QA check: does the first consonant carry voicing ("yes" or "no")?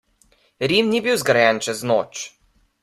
yes